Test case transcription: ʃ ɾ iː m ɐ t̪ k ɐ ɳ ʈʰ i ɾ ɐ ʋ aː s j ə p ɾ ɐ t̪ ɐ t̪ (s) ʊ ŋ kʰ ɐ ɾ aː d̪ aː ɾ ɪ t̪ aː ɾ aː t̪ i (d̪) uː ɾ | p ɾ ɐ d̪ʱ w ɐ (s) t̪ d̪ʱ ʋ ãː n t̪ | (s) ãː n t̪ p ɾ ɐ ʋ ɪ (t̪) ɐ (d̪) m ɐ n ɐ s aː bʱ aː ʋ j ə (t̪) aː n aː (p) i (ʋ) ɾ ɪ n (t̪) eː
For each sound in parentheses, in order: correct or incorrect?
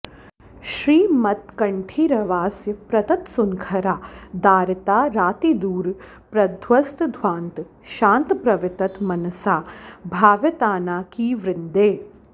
correct, correct, correct, incorrect: ʃ, correct, incorrect: t̪, correct, incorrect: k, correct, incorrect: d̪

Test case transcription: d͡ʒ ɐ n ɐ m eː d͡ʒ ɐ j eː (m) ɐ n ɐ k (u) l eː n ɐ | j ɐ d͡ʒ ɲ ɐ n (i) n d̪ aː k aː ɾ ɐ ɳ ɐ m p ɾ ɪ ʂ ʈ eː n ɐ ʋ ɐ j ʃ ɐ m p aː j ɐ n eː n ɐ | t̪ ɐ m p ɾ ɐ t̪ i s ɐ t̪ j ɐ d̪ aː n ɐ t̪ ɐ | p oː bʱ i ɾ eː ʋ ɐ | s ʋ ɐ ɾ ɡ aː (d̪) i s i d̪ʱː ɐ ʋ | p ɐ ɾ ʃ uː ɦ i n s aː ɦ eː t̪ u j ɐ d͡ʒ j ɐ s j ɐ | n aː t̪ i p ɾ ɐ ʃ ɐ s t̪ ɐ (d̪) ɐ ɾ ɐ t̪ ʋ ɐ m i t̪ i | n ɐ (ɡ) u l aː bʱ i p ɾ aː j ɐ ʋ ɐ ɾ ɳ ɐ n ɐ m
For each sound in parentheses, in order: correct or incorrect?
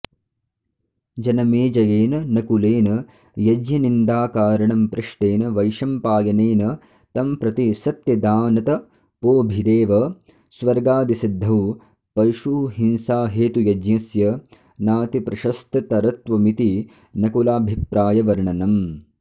incorrect: n, correct, correct, correct, incorrect: t̪, incorrect: k

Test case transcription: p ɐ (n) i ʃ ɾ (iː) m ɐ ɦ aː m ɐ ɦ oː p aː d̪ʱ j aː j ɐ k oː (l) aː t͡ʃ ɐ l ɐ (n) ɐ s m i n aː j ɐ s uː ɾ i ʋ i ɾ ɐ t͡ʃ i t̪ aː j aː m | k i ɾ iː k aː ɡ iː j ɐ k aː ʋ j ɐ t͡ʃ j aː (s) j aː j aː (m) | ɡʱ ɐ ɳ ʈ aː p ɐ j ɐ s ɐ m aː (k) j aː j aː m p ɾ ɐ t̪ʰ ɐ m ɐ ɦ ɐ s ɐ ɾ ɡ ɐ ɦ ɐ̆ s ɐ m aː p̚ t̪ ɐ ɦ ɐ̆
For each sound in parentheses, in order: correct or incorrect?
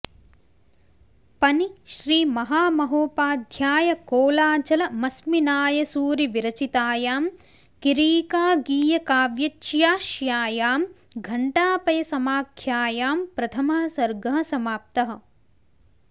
correct, correct, correct, incorrect: m, incorrect: ʃ, correct, incorrect: kʰ

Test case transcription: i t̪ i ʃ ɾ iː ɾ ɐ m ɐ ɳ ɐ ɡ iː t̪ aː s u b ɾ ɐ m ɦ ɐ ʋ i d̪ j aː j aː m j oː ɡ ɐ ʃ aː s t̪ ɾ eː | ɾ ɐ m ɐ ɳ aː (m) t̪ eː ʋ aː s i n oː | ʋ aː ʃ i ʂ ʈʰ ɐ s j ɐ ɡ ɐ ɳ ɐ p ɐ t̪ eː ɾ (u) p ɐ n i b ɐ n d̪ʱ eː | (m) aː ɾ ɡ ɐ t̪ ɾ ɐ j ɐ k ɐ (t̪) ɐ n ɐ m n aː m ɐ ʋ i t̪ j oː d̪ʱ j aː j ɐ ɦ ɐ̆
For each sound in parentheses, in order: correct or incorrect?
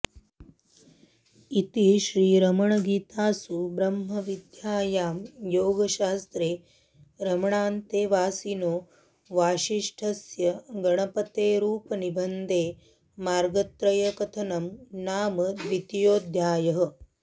incorrect: n, incorrect: uː, correct, incorrect: t̪ʰ

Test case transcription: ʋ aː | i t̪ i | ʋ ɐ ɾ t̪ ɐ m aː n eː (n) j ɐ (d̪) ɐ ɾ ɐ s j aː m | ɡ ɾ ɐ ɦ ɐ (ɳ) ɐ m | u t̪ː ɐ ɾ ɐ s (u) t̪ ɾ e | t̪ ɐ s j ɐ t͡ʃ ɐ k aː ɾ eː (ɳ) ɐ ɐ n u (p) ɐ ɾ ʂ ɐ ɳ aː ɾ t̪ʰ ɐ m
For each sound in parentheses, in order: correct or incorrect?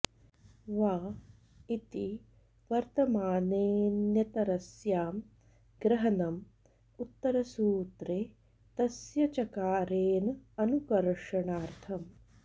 correct, incorrect: t̪, incorrect: n, incorrect: uː, incorrect: n, incorrect: k

